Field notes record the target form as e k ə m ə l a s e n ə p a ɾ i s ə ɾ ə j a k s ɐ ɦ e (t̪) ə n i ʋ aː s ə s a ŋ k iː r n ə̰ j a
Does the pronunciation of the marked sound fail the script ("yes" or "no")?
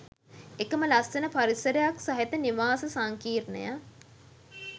no